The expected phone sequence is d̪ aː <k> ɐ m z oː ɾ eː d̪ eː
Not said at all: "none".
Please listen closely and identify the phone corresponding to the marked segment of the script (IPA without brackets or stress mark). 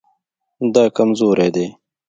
k